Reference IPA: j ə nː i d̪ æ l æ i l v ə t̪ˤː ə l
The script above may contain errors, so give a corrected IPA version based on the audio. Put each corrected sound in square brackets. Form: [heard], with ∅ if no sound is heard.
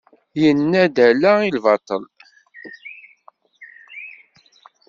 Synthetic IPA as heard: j ə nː [æ] d̪ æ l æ i l v [ɑ] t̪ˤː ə l